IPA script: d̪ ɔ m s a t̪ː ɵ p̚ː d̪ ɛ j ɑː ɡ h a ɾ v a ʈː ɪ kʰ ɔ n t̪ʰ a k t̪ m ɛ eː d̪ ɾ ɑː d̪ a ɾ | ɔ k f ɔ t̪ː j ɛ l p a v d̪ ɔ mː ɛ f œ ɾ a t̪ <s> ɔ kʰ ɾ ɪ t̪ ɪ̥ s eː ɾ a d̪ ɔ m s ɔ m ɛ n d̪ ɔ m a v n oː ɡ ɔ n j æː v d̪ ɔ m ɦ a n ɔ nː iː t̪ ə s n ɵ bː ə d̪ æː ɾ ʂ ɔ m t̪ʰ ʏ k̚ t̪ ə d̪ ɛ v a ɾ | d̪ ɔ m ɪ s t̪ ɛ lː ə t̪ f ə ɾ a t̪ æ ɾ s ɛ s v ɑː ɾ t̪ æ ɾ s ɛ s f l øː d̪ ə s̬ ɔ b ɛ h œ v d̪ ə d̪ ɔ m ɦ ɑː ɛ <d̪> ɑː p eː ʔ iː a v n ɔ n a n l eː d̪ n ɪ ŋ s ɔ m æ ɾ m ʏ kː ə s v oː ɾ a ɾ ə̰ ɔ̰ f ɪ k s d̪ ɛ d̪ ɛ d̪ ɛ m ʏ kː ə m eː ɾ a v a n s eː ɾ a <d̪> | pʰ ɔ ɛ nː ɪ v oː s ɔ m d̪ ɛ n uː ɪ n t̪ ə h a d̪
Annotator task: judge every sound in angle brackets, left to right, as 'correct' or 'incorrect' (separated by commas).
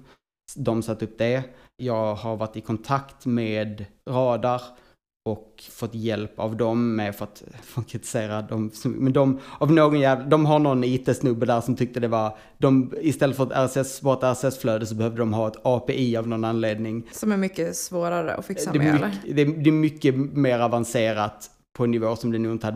incorrect, incorrect, incorrect